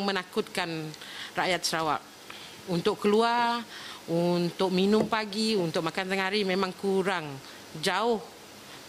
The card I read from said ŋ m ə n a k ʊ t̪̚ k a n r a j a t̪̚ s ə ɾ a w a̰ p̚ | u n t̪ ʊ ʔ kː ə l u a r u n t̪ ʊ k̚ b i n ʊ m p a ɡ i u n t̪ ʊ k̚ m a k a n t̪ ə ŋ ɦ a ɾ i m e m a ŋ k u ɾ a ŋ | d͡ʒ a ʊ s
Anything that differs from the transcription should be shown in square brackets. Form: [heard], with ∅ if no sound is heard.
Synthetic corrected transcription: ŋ m ə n a k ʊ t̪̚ k a n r a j a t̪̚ s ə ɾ a w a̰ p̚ | u n t̪ ʊ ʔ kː ə l u a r u n t̪ ʊ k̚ [m] i n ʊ m p a ɡ i u n t̪ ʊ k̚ m a k a n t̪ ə ŋ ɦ a ɾ i m e m a ŋ k u ɾ a ŋ | d͡ʒ a ʊ [h]